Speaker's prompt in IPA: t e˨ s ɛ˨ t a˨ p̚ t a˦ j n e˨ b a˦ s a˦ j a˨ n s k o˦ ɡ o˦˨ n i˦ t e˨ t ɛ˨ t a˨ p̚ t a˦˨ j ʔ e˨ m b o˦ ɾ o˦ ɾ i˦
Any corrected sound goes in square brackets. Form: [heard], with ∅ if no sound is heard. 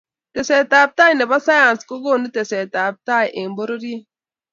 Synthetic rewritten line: t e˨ s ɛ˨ t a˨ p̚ t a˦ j n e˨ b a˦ s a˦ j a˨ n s k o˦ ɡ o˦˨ n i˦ t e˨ [s] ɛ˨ t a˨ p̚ t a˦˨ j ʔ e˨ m b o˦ ɾ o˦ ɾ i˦